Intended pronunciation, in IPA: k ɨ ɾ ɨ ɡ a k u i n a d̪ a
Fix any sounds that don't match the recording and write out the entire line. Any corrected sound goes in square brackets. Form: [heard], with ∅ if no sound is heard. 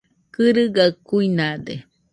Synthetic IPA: k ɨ ɾ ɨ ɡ a k u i n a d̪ [e]